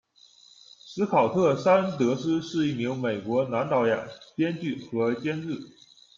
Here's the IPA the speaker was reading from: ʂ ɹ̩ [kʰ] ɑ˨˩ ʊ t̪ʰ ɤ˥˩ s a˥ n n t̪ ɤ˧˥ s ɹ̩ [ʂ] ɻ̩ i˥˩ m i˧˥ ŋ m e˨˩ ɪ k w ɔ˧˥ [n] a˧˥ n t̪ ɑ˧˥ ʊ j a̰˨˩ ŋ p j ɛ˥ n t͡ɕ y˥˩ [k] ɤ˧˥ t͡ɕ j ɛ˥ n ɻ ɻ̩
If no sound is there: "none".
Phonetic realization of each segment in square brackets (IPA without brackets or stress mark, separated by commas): kʰ, ʂ, n, x